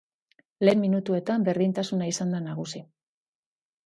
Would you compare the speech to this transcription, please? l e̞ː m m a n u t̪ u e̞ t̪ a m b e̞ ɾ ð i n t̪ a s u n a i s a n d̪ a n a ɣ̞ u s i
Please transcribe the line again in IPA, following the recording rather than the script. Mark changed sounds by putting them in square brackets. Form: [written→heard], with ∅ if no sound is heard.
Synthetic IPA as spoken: l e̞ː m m [a→i] n u t̪ u e̞ t̪ a m b e̞ ɾ ð i n t̪ a s u n a i s a n d̪ a n a ɣ̞ u s i